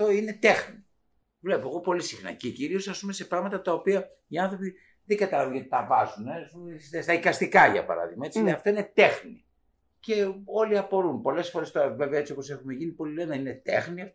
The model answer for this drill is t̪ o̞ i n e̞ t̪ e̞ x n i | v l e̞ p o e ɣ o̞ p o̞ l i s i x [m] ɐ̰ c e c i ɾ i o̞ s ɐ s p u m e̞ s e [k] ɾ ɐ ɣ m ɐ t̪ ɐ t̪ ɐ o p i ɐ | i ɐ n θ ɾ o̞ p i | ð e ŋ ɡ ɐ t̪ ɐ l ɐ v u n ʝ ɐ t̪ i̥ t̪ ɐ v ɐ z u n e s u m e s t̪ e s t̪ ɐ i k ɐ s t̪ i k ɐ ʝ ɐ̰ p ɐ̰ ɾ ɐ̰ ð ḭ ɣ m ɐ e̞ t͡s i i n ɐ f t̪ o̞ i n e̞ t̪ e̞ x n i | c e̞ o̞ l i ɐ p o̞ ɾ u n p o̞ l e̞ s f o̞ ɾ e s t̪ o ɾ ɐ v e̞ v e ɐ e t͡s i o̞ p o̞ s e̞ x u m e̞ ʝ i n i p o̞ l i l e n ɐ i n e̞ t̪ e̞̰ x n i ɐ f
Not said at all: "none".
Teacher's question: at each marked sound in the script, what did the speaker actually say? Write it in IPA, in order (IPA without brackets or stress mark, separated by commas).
n, p